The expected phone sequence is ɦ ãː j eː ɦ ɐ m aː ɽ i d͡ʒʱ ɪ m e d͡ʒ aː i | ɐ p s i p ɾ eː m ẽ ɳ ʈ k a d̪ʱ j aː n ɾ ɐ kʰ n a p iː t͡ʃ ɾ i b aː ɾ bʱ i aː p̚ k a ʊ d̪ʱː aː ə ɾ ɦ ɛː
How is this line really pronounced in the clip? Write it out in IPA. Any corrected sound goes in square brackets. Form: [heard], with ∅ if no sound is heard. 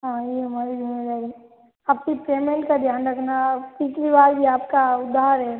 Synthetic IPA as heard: ɦ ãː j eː ɦ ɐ m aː [ɾ] i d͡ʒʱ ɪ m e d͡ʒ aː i | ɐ p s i p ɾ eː m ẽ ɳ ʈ k a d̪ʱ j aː n ɾ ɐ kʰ n a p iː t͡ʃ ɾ i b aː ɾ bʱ i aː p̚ k a ʊ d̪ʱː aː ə ɾ ɦ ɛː